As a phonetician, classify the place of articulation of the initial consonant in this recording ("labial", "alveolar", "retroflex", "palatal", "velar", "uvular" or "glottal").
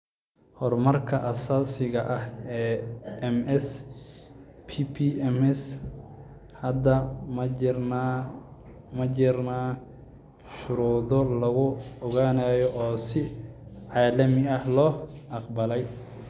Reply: glottal